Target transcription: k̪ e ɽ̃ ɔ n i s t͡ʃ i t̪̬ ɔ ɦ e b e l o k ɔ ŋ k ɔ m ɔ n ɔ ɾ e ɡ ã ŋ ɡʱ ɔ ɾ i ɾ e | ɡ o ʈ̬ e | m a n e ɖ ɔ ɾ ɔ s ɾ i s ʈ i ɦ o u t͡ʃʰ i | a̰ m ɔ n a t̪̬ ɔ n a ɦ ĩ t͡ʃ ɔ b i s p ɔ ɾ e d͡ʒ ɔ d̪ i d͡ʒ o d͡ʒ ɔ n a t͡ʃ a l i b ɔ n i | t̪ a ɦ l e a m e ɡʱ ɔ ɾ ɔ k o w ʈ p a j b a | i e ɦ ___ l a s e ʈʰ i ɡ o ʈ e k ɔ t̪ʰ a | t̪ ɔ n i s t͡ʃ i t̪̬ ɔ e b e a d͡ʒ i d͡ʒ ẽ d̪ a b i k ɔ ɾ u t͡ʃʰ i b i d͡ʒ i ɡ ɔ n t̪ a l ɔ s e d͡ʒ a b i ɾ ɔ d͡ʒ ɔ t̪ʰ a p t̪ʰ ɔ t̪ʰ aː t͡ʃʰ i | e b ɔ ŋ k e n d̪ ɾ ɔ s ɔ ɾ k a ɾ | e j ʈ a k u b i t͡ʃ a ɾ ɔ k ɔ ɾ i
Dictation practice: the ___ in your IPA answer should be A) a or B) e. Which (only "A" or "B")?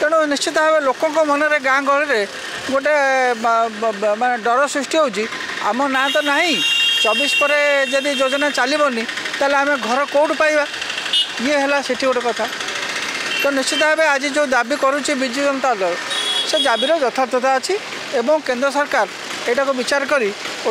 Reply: B